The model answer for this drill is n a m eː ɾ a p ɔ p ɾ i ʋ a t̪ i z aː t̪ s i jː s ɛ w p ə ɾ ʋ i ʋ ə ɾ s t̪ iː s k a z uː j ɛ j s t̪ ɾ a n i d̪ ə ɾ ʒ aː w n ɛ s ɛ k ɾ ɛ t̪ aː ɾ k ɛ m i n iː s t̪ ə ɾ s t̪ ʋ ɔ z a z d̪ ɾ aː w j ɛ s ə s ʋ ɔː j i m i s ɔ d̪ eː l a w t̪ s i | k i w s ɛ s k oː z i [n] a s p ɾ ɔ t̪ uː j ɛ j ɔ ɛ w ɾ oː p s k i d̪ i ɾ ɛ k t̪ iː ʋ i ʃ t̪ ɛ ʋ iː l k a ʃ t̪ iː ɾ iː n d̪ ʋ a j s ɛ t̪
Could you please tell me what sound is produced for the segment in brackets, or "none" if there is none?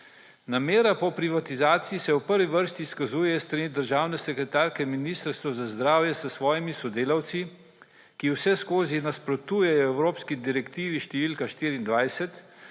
n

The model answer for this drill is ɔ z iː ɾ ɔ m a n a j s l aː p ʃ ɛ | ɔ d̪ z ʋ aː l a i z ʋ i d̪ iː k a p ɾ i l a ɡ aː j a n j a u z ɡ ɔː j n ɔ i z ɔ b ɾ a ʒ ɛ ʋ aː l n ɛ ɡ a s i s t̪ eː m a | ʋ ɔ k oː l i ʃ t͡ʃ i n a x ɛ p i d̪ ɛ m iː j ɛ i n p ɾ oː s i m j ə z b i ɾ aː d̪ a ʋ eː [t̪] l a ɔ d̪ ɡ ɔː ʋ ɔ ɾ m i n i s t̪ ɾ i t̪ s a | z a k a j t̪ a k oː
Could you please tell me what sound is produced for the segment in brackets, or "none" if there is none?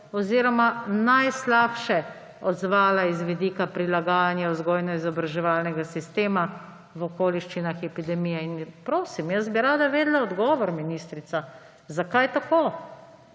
d̪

